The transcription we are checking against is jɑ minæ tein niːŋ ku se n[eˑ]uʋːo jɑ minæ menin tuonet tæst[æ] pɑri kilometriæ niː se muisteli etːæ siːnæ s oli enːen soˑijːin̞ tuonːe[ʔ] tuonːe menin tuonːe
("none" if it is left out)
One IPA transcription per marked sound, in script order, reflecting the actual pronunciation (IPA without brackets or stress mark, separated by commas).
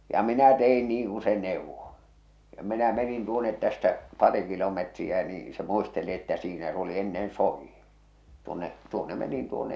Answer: eˑ, æ, ʔ